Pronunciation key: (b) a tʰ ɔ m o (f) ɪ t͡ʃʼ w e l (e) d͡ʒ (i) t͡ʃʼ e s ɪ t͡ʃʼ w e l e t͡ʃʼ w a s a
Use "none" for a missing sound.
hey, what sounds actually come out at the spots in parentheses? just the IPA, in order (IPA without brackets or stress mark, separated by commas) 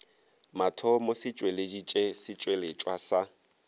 m, s, e, i